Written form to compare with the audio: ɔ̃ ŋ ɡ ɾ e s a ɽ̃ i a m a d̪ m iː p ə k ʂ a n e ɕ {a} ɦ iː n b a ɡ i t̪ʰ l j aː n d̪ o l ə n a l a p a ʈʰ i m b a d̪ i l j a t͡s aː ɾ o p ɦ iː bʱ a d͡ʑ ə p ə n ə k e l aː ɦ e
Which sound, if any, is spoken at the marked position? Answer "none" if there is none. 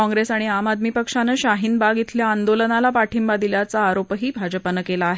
a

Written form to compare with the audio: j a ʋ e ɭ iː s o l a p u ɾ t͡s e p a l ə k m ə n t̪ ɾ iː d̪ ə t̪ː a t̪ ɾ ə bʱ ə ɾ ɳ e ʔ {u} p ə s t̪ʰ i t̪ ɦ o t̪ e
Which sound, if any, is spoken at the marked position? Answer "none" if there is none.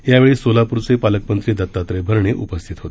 u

